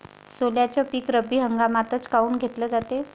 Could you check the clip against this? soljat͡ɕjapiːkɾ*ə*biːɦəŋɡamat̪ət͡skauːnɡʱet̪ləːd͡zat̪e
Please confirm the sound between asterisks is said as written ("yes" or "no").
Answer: yes